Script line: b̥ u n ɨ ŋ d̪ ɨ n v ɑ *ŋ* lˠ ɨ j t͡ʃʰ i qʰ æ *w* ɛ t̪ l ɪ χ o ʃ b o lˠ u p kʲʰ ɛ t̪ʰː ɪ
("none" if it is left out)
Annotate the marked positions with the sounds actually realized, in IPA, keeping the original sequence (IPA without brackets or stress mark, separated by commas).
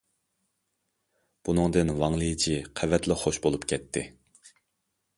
ŋ, v